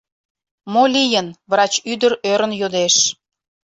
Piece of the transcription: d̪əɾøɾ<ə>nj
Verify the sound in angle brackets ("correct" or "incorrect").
correct